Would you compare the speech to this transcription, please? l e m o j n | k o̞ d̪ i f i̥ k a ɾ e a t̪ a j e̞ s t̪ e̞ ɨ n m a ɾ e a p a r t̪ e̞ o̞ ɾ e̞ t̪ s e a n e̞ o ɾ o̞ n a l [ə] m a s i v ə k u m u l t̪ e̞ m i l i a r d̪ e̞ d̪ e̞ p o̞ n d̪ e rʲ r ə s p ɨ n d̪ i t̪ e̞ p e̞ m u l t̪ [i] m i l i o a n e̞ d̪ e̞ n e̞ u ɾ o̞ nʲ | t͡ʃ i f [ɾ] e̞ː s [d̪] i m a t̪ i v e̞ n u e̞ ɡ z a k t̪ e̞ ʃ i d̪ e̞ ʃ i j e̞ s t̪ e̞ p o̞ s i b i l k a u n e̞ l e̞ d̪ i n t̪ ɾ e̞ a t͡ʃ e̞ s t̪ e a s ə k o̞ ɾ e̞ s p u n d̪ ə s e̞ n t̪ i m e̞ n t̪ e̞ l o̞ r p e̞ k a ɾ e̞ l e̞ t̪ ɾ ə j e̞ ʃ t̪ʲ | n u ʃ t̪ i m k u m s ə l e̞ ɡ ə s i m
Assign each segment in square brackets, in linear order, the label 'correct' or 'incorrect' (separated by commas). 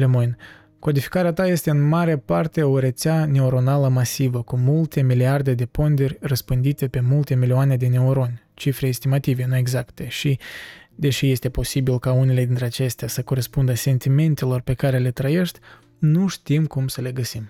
correct, incorrect, correct, incorrect